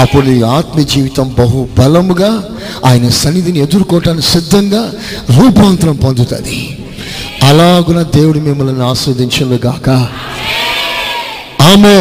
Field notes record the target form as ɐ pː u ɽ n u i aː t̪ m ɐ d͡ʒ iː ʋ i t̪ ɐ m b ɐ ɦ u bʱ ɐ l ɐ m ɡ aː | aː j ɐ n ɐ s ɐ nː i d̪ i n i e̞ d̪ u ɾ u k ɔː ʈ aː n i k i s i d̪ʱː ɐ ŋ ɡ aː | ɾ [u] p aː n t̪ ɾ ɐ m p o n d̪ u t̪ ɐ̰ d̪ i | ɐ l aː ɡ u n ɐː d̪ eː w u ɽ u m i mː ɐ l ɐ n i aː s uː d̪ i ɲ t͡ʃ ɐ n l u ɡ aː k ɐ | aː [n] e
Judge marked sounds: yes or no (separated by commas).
no, no